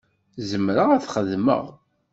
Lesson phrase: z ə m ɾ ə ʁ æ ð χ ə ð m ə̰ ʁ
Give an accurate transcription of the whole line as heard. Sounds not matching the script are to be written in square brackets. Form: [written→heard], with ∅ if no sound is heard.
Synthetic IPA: z ə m ɾ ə ʁ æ [ð→θ] χ ə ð m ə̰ ʁ